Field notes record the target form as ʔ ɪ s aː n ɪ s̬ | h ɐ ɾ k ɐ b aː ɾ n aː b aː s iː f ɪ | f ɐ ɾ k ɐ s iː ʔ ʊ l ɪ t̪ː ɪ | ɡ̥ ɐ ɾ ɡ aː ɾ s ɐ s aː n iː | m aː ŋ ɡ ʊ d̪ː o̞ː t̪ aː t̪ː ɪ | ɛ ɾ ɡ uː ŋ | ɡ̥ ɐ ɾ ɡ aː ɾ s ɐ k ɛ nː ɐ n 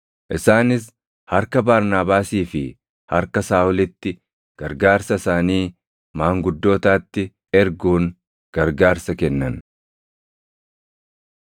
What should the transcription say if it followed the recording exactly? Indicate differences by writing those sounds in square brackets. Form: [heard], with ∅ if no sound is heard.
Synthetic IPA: ʔ ɪ s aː n ɪ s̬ | h ɐ ɾ k ɐ b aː ɾ n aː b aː s iː f ɪ | [h] ɐ ɾ k ɐ s [aː] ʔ ʊ l ɪ t̪ː ɪ | ɡ̥ ɐ ɾ ɡ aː ɾ s ɐ s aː n iː | m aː ŋ ɡ ʊ d̪ː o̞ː t̪ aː t̪ː ɪ | ɛ ɾ ɡ uː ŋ | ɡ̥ ɐ ɾ ɡ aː ɾ s ɐ k ɛ nː ɐ n